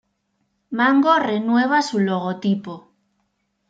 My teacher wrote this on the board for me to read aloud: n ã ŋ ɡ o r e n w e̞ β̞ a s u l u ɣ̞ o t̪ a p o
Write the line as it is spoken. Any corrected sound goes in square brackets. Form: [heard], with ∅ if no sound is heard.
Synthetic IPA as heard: [m] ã ŋ ɡ o r e n w e̞ β̞ a s u l [o] ɣ̞ o t̪ [i] p o